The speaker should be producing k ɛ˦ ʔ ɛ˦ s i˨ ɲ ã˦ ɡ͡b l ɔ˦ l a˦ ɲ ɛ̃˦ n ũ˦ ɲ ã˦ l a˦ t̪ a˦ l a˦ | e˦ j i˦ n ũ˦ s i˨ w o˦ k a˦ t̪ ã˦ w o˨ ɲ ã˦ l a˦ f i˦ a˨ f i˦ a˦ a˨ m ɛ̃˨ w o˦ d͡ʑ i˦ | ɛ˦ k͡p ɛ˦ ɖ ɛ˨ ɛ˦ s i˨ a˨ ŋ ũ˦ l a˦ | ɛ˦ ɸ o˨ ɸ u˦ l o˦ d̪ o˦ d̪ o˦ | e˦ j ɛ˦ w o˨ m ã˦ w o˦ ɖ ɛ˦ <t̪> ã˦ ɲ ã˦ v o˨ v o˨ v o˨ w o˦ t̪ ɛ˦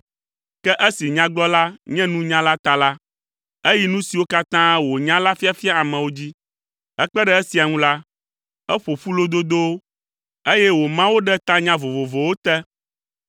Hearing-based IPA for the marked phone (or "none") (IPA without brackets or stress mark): t̪